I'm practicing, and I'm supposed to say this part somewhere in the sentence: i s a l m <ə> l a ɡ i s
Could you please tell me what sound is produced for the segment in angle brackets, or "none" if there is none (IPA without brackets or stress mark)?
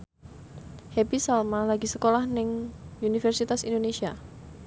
a